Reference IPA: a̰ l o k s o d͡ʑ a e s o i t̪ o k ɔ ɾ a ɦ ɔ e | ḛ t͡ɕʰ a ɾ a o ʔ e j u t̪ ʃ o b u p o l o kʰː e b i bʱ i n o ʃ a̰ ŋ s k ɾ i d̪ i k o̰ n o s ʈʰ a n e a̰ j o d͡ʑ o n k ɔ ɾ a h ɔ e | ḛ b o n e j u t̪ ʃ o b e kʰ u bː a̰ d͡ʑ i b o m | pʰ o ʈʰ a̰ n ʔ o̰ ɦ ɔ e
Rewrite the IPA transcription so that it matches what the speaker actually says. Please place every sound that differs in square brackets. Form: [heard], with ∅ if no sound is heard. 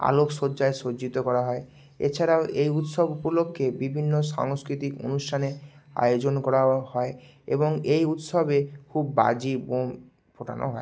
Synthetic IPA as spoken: a̰ l o k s o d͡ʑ a e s o i t̪ o k ɔ ɾ a ɦ ɔ e | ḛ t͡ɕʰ a ɾ a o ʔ e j u t̪ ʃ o b u p o l o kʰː e b i bʱ i [nː] o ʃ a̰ ŋ s k ɾ i [t̪] i k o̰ n [u] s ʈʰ a n e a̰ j o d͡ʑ o n k ɔ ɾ a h ɔ e | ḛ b o [ŋ] e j u t̪ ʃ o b e kʰ u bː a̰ d͡ʑ i b o m | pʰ o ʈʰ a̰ n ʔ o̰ ɦ ɔ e